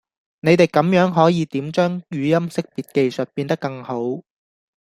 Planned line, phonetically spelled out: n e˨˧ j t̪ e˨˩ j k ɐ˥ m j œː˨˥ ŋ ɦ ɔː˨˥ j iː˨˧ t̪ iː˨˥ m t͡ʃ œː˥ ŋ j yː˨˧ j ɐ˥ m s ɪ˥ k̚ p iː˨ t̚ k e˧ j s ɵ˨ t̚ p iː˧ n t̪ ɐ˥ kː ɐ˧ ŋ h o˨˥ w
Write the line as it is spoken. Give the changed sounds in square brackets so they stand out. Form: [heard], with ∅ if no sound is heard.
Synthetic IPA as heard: n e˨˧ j t̪ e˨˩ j k [ɐ˨˥] m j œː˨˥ ŋ ɦ ɔː˨˥ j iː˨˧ t̪ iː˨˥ m t͡ʃ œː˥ ŋ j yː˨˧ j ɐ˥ m s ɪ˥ k̚ p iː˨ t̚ k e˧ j s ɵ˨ t̚ p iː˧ n t̪ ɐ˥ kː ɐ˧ ŋ h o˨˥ w